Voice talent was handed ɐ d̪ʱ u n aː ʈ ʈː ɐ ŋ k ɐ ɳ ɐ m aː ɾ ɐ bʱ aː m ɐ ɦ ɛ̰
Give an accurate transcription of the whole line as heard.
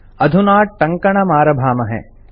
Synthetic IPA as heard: ɐ d̪ʱ u n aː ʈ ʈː ɐ ŋ k ɐ ɳ ɐ m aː ɾ ɐ bʱ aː m ɐ ɦ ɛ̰